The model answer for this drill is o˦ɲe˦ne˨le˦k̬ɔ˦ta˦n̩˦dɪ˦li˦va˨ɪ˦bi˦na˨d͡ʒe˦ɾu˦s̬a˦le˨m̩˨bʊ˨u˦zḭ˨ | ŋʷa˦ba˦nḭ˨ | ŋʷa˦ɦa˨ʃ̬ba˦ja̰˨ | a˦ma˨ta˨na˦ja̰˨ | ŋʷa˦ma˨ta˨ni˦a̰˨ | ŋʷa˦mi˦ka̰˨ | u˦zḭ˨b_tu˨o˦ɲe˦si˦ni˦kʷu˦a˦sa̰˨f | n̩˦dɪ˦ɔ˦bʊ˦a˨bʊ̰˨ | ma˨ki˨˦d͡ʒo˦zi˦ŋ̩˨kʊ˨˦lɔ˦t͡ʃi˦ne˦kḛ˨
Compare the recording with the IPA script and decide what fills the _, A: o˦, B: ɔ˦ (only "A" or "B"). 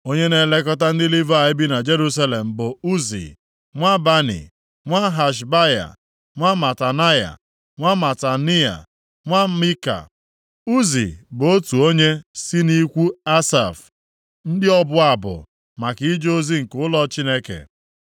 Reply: A